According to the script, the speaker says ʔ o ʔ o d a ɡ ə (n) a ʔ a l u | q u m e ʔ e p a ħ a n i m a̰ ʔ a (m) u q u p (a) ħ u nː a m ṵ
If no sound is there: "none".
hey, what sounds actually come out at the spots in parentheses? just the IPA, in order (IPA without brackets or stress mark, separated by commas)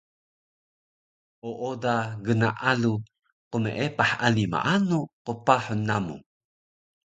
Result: n, n, a